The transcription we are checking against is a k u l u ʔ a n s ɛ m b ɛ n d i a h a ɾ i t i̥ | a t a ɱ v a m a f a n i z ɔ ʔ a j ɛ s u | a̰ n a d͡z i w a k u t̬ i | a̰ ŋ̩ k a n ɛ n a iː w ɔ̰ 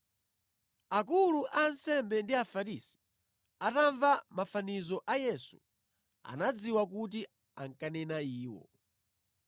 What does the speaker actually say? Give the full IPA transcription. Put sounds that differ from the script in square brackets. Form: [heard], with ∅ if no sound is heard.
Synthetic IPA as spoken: a k u l u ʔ a n s ɛ m b ɛ n d i a [f] a ɾ i [s] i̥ | a t a ɱ v a m a f a n i z ɔ ʔ a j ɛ s u | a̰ n a d͡z i w a k u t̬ i | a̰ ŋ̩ k a n ɛ n a iː w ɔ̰

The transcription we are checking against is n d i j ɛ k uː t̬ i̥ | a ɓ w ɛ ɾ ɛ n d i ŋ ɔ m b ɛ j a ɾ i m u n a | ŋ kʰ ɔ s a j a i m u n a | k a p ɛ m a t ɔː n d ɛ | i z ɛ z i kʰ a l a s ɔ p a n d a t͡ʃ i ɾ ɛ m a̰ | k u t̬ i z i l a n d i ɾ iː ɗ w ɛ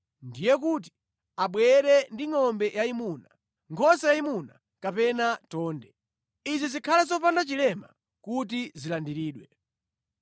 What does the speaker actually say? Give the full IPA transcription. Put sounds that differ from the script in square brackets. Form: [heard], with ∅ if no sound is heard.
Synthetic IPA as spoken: n d i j ɛ k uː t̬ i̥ | a ɓ w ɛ ɾ ɛ n d i ŋ ɔ m b ɛ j a [∅] i m u n a | ŋ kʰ ɔ s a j a i m u n a | k a p ɛ [n] a t ɔː n d ɛ | i z [i] z i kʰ a l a [z] ɔ p a n d a t͡ʃ i [l] ɛ m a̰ | k u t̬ i z i l a n d i ɾ iː ɗ w ɛ

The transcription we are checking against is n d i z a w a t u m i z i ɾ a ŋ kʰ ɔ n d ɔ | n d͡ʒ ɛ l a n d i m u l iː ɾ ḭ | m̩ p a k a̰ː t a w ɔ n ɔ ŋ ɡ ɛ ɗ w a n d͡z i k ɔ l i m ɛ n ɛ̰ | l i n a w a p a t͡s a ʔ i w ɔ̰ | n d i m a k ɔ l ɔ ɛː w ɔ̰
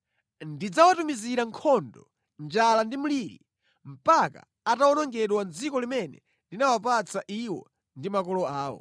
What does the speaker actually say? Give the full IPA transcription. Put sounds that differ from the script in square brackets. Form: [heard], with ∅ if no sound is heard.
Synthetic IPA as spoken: n d i [d͡z] a w a t u m i z i ɾ a ŋ kʰ ɔ n d ɔ | n d͡ʒ [a] l a n d i m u l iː ɾ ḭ | m̩ p a k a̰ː t a w ɔ n ɔ ŋ ɡ ɛ ɗ w a n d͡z i k ɔ l i m ɛ n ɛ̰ | l i n a w a p a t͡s a ʔ i w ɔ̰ | n d i m a k ɔ l ɔ [aː] w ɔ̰

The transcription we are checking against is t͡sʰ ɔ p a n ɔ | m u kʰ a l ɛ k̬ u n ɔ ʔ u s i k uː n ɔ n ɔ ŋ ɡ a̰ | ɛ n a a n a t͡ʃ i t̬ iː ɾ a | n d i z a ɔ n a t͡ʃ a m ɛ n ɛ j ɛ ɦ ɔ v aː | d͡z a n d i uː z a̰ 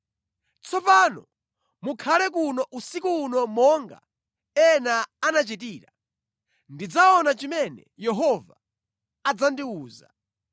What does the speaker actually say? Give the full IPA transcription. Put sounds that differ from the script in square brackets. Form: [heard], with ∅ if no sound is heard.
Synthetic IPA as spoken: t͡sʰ ɔ p a n ɔ | m u kʰ a l ɛ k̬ u n ɔ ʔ u s i k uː n ɔ [m] ɔ ŋ ɡ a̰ | ɛ n a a n a t͡ʃ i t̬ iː ɾ a | n d i [d͡z] a ɔ n a t͡ʃ [i] m ɛ n ɛ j ɛ ɦ ɔ v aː | d͡z a n d i uː z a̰

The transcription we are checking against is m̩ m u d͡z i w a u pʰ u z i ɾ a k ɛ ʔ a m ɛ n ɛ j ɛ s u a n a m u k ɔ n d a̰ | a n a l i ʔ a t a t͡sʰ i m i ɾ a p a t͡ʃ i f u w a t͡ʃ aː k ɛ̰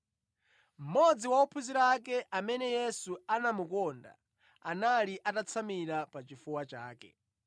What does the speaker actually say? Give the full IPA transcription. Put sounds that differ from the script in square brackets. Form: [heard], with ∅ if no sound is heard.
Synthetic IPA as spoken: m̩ m [ɔ] d͡z i w a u pʰ u z i ɾ a k ɛ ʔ a m ɛ n ɛ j ɛ s u a n a m u k ɔ n d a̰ | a n a l i ʔ a t a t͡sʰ [a] m i ɾ a p a t͡ʃ i f u w a t͡ʃ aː k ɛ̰

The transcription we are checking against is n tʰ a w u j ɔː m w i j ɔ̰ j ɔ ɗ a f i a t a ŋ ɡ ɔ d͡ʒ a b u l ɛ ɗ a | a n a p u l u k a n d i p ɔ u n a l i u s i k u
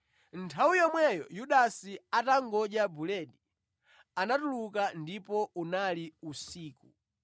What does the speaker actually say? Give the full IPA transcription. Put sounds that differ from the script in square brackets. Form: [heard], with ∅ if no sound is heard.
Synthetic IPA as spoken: n tʰ a w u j [ɔ] m w [ɛ] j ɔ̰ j [u] ɗ a [s] i a t a ŋ ɡ ɔ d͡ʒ a b u l ɛ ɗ [i] | a n a [t] u l u k a n d i p ɔ u n a l i u s [iː] k u

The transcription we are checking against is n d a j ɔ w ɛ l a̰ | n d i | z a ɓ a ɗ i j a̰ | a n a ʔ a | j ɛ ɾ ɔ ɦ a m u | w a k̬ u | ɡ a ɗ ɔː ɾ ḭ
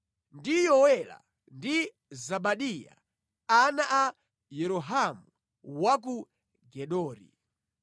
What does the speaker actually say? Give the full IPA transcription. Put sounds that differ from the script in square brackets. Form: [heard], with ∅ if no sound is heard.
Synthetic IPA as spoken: n d [i] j ɔ w ɛ l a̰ | n d i | z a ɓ a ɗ i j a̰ | a n a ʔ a | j ɛ ɾ ɔ ɦ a m u | w a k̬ u | ɡ [ɛ] ɗ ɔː ɾ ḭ

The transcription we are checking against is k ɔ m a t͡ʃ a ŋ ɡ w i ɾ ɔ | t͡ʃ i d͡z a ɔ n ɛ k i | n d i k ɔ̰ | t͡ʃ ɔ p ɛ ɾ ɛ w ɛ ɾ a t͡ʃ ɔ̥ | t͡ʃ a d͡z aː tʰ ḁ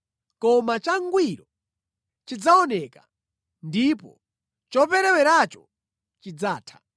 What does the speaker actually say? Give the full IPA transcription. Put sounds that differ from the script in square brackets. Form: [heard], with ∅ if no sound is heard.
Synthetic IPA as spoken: k ɔ m a t͡ʃ a ŋ ɡ w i ɾ ɔ | t͡ʃ i d͡z a ɔ n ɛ k [a] | n d i [p] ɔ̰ | t͡ʃ ɔ p ɛ ɾ ɛ w ɛ ɾ a t͡ʃ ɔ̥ | t͡ʃ [i] d͡z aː tʰ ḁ

